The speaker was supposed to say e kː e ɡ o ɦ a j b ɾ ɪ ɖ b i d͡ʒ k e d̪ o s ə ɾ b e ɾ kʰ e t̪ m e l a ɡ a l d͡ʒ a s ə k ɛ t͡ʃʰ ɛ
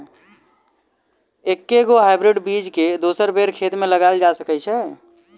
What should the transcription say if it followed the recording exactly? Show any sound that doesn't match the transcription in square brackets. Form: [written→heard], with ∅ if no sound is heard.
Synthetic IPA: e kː e ɡ o ɦ a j b ɾ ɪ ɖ b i d͡ʒ k e d̪ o s ə ɾ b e ɾ kʰ e t̪ m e l [a→ə] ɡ a l d͡ʒ a s ə k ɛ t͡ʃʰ ɛ